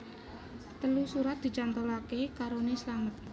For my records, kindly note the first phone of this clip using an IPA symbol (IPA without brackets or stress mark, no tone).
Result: t̪